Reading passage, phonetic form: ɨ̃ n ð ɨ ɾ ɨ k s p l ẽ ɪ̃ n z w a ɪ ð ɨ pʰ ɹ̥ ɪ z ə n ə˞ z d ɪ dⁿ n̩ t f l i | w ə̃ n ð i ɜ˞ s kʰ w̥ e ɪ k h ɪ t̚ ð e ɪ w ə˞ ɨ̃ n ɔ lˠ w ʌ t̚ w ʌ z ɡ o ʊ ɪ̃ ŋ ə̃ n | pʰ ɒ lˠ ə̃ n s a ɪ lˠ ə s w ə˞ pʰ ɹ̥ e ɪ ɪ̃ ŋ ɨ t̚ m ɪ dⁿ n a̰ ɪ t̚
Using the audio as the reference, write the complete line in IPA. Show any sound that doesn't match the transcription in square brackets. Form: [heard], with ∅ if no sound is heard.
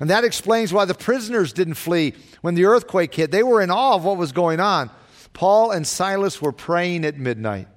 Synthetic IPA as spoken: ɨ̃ n ð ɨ ɾ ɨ k s p l ẽ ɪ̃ n z w a ɪ ð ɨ pʰ ɹ̥ ɪ z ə n ə˞ z d ɪ dⁿ n̩ t f l i | w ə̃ n ð i ɜ˞ [θ] kʰ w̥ e ɪ k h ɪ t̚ ð e ɪ w ə˞ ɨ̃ n ɔ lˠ w ʌ t̚ w ʌ z ɡ o ʊ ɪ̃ ŋ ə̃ n | pʰ [ɔ] lˠ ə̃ n s a ɪ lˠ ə s w ə˞ pʰ ɹ̥ e ɪ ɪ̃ ŋ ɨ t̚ m ɪ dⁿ n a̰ ɪ t̚